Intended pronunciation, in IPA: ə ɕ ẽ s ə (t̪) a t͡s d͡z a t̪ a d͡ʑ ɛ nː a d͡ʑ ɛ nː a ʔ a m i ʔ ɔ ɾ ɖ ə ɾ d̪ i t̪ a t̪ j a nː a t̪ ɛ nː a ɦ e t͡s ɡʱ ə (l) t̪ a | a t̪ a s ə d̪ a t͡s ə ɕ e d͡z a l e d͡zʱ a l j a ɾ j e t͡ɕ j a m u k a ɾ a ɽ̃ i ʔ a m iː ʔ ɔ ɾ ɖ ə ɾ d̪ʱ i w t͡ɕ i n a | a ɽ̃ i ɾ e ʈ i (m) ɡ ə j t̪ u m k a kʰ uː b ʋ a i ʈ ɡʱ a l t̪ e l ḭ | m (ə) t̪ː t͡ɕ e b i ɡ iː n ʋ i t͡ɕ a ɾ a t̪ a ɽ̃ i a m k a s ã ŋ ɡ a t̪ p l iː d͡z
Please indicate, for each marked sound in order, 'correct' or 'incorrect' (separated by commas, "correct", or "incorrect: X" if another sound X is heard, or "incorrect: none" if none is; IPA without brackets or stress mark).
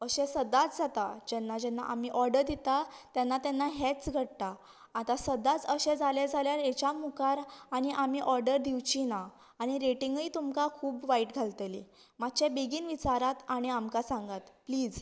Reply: incorrect: d̪, incorrect: ɽ, incorrect: ŋ, incorrect: a